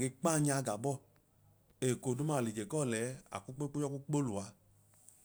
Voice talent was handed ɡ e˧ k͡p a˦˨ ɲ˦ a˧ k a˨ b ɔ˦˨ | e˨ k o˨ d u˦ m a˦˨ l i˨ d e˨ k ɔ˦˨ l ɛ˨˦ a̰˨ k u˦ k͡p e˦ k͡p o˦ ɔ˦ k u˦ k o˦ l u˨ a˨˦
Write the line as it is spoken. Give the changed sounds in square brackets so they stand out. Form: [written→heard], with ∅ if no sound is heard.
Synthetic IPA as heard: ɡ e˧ k͡p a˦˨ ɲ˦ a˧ [k→ɡ] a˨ b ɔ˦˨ | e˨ k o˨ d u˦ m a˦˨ l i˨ [d→d͡ʒ] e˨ k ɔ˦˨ l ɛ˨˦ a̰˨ k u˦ k͡p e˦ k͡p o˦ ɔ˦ k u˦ [k→k͡p] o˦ l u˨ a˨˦